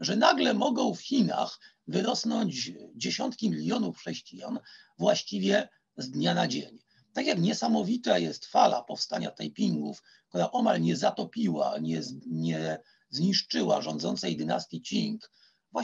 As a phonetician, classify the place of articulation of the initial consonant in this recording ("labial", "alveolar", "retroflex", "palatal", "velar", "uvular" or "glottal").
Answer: retroflex